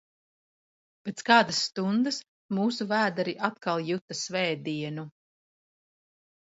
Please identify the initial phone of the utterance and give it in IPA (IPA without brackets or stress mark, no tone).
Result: p